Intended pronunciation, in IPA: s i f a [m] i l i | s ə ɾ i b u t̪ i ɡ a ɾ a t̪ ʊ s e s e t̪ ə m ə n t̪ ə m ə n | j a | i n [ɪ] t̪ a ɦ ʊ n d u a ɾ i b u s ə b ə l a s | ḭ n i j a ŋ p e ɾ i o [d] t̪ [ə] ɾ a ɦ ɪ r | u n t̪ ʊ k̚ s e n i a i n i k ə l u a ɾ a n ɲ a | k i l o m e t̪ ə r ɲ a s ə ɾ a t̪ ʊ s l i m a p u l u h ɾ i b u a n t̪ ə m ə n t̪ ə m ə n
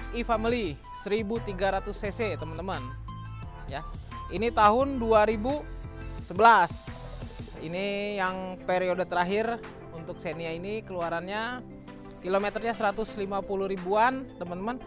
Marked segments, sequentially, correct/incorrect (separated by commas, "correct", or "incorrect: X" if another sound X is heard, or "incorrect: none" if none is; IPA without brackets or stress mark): correct, incorrect: i, correct, correct